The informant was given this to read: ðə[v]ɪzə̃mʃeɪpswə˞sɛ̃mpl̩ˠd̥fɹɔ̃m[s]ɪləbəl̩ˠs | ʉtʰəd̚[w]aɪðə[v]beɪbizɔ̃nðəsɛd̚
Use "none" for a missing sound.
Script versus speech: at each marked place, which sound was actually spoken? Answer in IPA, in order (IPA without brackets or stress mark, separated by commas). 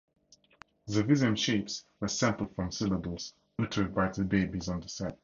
v, s, b, none